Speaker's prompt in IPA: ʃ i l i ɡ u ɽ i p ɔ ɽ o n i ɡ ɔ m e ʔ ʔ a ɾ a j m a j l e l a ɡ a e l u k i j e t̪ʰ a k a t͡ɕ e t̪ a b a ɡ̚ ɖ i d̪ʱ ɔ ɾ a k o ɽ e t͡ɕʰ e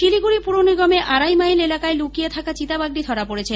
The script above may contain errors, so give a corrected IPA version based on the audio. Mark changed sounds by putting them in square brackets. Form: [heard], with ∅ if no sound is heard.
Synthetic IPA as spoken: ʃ i l i ɡ u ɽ i p [u] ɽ o n i ɡ ɔ m e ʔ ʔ a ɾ a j m a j l e l a [k] a e l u k i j e t̪ʰ a k a t͡ɕ [i] t̪ a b a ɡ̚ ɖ i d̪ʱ ɔ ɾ a [p] o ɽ e t͡ɕʰ e